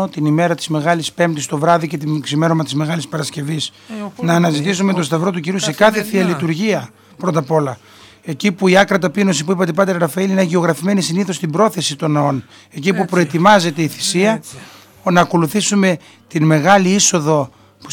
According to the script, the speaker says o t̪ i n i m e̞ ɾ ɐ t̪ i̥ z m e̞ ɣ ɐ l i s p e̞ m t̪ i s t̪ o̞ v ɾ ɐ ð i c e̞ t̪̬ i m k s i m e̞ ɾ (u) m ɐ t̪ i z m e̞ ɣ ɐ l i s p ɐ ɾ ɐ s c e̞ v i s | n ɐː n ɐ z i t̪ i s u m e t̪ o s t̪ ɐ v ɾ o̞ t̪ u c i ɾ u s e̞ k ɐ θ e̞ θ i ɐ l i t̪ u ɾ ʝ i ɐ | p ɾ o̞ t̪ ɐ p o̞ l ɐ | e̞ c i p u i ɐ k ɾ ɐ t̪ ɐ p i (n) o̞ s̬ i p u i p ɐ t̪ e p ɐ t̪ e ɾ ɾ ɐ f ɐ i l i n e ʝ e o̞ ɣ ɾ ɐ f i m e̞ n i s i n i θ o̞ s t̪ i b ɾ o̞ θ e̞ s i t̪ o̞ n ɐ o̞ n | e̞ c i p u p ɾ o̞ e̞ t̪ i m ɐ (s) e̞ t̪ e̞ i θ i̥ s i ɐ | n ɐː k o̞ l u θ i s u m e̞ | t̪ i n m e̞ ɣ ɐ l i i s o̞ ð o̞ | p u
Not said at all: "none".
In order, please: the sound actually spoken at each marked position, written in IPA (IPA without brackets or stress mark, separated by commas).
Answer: o, n, z